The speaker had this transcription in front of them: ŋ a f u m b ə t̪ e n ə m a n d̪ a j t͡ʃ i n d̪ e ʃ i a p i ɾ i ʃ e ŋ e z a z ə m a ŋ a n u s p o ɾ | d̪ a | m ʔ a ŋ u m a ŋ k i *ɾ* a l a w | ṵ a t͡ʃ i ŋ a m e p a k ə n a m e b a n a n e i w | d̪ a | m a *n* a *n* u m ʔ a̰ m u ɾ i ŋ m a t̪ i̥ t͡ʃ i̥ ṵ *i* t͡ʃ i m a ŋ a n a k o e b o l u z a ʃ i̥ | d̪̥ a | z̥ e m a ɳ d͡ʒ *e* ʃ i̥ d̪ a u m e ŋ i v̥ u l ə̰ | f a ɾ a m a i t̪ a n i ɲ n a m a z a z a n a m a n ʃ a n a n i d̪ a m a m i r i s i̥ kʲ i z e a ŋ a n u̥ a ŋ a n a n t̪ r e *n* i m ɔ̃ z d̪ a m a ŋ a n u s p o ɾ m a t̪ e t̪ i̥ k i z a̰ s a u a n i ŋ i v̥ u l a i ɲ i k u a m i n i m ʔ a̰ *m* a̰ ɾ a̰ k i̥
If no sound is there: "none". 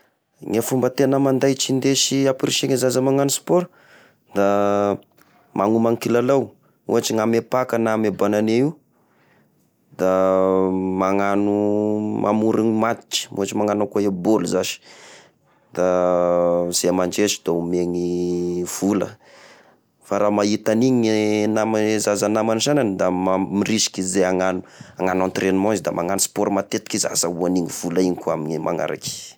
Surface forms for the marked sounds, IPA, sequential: l, ŋ, n, a, e, n, ŋ

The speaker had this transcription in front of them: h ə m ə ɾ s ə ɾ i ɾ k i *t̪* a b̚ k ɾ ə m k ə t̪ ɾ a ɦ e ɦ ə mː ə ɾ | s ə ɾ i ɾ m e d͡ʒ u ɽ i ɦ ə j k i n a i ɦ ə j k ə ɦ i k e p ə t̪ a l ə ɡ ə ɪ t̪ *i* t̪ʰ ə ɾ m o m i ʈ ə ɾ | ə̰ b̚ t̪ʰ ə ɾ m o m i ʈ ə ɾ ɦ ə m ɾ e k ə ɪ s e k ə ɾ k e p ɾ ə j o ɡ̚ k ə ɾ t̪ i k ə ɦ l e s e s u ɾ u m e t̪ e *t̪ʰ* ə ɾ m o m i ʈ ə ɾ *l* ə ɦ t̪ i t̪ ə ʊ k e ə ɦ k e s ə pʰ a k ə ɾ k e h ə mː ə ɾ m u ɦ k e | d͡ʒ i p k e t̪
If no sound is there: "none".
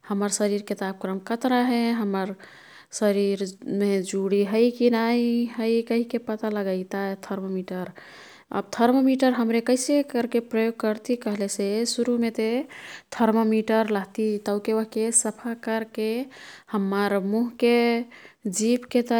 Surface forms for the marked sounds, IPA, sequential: t̪, a, t̪ʰ, l

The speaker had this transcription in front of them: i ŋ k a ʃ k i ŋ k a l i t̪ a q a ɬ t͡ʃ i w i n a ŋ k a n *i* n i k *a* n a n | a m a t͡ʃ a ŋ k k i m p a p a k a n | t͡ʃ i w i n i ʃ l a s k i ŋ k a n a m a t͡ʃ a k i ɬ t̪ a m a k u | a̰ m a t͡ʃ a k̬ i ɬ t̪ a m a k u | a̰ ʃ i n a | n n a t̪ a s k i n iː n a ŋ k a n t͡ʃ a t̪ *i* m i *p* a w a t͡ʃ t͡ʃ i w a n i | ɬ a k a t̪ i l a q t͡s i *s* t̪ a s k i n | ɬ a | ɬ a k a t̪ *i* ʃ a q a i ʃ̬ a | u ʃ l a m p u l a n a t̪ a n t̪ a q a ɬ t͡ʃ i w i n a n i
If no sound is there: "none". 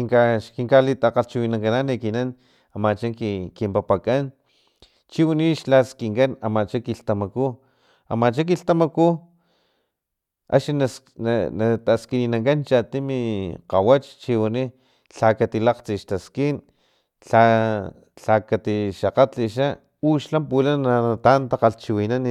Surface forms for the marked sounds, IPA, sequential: a, i, i, q, ʃ, i

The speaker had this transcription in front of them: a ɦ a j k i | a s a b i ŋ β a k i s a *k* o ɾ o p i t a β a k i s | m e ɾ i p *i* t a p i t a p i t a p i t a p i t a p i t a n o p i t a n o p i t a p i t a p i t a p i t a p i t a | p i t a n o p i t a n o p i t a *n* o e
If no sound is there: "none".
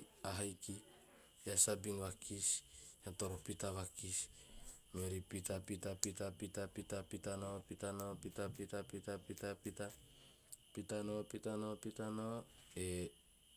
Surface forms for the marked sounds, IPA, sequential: t, i, n

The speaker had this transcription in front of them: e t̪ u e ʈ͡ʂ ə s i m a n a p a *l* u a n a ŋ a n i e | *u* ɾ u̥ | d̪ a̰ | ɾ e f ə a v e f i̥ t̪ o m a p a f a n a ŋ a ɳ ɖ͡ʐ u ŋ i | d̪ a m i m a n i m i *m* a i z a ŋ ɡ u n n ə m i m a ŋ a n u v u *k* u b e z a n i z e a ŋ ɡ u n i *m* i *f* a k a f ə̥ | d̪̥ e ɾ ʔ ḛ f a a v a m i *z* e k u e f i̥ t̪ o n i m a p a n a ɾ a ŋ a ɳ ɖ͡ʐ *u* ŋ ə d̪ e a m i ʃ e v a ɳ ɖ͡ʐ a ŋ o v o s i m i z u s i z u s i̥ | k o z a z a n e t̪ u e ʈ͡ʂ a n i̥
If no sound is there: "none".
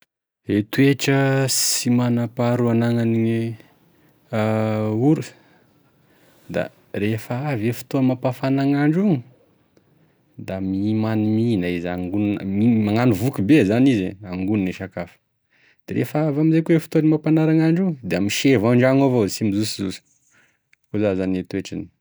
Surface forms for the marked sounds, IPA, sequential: ɾ, u, n, k, n, ʃ, z, u

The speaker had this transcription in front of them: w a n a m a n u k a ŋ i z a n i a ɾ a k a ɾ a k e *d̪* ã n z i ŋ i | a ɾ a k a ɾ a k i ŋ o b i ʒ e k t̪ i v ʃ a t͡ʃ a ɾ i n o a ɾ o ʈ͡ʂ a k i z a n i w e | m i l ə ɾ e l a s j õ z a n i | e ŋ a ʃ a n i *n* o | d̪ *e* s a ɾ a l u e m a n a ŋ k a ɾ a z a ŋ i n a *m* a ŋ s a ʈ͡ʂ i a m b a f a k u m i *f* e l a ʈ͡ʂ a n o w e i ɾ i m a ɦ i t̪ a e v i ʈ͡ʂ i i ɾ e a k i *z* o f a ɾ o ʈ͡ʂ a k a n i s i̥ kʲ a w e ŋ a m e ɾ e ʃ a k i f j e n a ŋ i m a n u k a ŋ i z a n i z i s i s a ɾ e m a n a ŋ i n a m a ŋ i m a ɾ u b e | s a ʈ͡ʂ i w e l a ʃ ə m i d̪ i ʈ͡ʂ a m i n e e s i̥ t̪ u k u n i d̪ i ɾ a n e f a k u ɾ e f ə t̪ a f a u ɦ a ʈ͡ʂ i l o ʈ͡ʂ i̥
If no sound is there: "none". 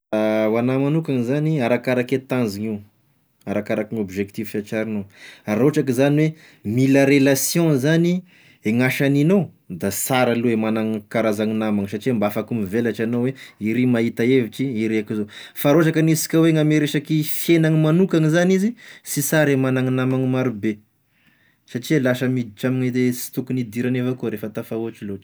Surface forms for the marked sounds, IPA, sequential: t̪, n, a, m, v, z

